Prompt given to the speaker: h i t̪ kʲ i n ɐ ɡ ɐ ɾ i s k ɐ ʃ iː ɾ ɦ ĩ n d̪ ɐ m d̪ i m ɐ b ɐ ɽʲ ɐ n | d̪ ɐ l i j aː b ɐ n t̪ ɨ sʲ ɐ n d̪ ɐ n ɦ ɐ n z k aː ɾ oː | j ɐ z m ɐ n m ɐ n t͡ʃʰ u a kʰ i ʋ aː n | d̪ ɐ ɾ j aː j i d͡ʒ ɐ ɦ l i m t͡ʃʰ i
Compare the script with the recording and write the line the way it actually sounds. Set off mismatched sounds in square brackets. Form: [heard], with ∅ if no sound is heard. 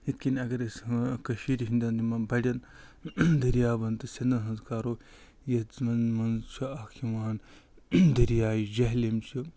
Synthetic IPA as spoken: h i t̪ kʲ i n ɐ ɡ ɐ ɾ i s k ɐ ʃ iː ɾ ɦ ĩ n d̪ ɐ [n] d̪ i m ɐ b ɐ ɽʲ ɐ n | d̪ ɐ [ɾ] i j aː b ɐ n t̪ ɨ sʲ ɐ n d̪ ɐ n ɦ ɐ n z k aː ɾ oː | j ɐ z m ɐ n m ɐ n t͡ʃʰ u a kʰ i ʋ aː n | d̪ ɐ ɾ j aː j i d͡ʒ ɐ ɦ l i m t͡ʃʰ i